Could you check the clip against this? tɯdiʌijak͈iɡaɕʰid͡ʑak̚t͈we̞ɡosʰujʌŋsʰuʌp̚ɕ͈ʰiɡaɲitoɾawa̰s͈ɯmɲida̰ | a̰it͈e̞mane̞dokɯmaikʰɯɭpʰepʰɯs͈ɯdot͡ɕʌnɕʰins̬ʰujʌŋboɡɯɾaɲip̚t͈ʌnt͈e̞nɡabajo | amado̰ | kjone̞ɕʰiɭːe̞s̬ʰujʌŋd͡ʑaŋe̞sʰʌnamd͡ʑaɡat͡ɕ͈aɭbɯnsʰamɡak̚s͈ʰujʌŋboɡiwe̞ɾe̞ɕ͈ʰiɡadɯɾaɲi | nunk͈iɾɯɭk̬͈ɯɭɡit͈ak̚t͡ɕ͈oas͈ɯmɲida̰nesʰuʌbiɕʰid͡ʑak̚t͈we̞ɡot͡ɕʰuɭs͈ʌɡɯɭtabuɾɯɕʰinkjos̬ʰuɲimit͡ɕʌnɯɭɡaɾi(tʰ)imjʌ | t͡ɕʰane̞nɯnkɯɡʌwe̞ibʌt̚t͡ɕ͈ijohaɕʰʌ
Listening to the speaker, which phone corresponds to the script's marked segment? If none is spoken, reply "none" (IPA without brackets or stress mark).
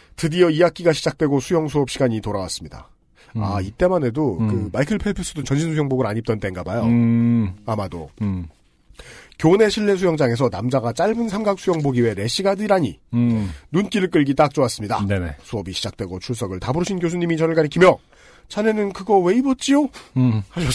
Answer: kʰ